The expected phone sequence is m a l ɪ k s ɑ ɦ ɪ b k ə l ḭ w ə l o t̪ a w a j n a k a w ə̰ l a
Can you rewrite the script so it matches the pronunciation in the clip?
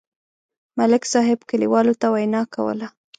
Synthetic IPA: m a l ɪ k s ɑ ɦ ɪ b k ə l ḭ w ɑ l o t̪ a w a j n ɑ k a w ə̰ l a